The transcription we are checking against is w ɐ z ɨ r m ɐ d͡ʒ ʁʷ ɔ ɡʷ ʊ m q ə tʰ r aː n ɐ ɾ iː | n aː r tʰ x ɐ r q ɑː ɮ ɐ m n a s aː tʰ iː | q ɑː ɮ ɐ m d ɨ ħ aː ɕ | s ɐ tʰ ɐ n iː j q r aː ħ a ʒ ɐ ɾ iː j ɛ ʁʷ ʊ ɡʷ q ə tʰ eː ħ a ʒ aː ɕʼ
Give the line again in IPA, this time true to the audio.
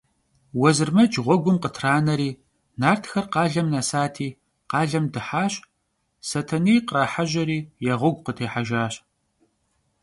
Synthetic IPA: w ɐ z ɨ r m ɐ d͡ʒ ʁʷ ɔ ɡʷ ʊ m q ə tʰ r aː n ɐ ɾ iː | n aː r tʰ x ɐ r q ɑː ɮ ɐ m n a s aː tʰ iː | q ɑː ɮ ɐ m d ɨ ħ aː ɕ | s ɐ tʰ ɐ n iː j q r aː ħ a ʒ ɐ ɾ iː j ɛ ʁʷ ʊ ɡʷ q ə tʰ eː ħ a ʒ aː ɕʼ